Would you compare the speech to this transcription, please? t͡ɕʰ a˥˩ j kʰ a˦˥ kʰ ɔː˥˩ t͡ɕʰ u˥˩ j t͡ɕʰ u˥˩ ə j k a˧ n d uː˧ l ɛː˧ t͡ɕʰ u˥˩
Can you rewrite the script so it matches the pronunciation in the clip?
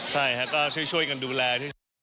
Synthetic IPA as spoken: t͡ɕʰ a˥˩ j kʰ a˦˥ k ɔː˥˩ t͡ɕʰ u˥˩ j t͡ɕʰ u˥˩ ə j k a˧ n d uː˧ l ɛː˧ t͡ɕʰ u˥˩